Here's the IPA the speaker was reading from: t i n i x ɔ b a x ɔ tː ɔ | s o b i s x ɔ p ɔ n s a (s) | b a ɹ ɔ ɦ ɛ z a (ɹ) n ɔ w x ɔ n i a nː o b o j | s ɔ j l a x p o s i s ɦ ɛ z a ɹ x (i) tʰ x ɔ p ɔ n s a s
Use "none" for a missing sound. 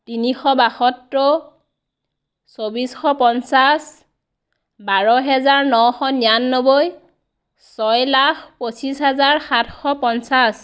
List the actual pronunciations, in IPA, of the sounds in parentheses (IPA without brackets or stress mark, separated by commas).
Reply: s, ɹ, a